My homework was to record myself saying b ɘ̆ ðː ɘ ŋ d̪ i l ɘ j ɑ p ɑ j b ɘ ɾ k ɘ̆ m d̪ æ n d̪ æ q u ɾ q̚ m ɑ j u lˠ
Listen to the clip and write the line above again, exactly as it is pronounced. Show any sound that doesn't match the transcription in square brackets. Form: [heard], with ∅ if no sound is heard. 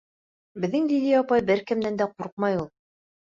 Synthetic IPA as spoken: b ɘ̆ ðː ɘ ŋ d̪ i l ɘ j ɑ p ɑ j b ɘ ɾ k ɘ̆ m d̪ æ n d̪ æ q u ɾ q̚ m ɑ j u lˠ